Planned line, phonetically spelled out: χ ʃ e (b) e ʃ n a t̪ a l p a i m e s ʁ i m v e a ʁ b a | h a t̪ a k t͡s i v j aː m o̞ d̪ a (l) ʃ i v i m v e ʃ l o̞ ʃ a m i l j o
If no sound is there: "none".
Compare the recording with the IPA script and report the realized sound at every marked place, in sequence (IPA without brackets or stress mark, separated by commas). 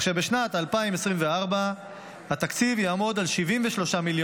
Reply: b, l